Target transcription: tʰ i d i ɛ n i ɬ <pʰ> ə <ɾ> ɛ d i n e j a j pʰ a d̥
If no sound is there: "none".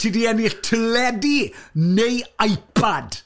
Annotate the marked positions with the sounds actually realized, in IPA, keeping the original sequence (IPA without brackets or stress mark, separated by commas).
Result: tʰ, l